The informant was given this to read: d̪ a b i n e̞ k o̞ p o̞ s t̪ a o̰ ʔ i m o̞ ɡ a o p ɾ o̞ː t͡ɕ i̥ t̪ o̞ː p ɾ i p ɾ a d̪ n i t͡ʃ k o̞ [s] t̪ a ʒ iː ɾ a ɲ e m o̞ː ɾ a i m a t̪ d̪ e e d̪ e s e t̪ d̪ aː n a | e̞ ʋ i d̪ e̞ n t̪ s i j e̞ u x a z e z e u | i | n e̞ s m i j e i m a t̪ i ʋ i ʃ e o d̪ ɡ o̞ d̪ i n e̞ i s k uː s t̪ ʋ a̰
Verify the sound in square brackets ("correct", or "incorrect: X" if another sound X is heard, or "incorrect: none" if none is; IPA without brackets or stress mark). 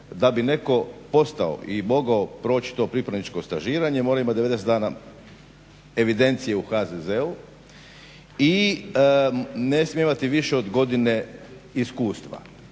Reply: correct